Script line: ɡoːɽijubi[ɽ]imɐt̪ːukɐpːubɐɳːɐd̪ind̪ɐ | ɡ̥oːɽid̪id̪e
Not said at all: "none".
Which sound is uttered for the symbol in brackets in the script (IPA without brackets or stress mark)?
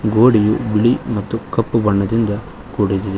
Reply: ɭ